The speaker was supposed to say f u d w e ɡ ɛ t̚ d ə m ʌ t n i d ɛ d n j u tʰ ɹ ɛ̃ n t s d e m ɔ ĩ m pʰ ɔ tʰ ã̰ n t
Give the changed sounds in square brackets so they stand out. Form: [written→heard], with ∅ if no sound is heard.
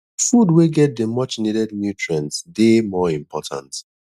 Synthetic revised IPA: f u d w e ɡ ɛ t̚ d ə m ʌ [t→t͡ʃ] n i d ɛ d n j u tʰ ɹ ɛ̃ n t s d e m ɔ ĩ m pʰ ɔ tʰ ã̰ n t